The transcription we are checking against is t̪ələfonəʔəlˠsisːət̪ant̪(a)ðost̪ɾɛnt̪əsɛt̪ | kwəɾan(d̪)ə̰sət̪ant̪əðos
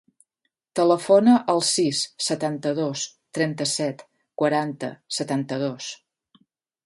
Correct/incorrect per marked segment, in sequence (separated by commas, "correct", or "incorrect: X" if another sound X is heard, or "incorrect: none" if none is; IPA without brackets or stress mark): incorrect: ə, incorrect: t̪